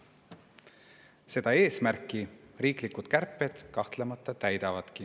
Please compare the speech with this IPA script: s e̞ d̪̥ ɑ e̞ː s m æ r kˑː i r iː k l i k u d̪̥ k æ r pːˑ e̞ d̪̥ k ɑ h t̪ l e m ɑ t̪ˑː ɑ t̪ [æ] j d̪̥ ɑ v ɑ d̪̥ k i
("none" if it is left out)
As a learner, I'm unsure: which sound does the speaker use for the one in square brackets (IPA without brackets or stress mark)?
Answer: æ